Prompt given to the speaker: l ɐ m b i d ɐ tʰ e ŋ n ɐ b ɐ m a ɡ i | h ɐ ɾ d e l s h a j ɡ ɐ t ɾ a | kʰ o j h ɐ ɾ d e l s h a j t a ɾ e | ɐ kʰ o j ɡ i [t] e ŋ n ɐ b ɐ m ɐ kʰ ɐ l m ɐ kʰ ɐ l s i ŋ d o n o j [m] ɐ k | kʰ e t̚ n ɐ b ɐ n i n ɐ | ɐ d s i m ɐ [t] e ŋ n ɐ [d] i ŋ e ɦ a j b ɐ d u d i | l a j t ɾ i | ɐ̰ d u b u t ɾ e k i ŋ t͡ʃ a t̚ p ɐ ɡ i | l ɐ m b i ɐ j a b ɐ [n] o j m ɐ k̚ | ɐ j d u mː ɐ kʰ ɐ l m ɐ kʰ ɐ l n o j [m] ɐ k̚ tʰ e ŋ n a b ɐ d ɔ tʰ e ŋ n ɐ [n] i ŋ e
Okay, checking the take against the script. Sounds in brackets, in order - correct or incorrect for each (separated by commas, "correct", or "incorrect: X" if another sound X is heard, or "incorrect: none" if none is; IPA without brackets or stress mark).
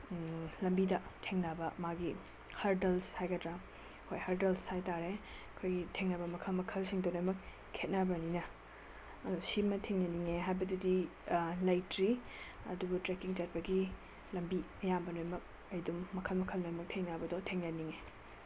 incorrect: tʰ, correct, incorrect: tʰ, incorrect: n, correct, correct, correct